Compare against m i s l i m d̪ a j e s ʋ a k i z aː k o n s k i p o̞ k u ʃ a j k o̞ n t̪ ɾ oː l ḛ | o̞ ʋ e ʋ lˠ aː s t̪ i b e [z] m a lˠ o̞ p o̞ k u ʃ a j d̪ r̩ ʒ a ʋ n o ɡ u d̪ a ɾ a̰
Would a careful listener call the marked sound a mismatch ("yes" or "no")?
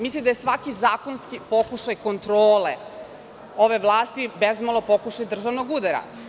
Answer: no